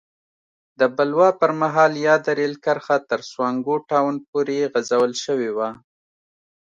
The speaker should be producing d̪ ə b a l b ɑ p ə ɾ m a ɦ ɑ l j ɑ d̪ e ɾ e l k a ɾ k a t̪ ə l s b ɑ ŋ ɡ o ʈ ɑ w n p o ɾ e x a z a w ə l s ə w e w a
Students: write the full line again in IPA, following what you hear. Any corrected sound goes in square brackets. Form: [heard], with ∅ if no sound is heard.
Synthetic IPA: d̪ ə b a l [w] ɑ p ə ɾ m a ɦ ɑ l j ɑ d̪ [a] ɾ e l k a ɾ [x] a t̪ ə [ɾ] s [w] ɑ ŋ ɡ o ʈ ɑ w n p o ɾ e [ɣ] a z a w ə l [ʃ] ə w e w a